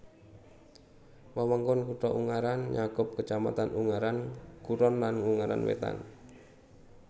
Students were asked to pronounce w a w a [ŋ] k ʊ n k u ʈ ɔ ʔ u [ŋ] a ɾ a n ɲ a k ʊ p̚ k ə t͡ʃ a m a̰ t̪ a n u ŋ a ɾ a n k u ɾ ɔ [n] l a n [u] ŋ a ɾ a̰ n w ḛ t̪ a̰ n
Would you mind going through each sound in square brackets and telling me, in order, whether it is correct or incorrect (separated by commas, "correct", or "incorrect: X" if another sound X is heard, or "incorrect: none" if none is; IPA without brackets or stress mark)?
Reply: correct, correct, correct, correct